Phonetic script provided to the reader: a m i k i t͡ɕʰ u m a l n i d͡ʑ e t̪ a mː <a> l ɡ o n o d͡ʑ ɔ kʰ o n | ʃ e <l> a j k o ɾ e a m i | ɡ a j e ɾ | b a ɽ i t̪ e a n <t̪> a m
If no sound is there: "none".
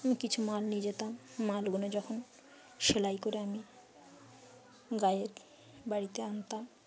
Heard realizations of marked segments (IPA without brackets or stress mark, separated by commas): a, l, t̪